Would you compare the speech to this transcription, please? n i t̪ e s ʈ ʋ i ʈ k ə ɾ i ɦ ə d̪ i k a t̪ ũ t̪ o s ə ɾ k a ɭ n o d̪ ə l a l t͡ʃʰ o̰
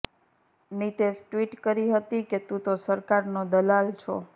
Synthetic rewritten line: n i t̪ e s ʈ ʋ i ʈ k ə ɾ i ɦ ə t̪ i k e t̪ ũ t̪ o s ə ɾ k a ɾ n o d̪ ə l a l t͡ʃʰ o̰